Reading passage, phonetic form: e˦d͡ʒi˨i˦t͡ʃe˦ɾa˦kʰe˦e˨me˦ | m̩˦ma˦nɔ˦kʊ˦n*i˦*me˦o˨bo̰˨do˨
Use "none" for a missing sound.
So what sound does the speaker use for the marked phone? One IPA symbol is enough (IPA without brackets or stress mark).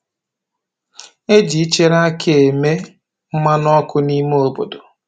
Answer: i˦